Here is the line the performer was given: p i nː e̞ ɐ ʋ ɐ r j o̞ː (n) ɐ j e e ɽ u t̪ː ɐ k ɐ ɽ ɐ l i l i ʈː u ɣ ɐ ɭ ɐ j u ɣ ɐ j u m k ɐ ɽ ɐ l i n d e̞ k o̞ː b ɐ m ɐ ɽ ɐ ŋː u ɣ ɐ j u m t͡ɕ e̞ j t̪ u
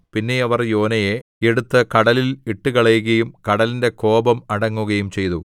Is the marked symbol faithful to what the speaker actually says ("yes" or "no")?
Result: yes